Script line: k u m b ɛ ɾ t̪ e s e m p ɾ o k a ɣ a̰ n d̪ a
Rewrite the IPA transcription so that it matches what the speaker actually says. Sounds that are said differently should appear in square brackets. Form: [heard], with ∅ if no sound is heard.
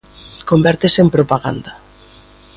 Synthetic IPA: k [o] m b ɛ ɾ t̪ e s e m p ɾ o [p] a ɣ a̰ n d̪ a